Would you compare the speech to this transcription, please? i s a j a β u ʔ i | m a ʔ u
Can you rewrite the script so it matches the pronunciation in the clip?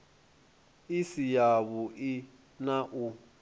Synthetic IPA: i s i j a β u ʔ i | n a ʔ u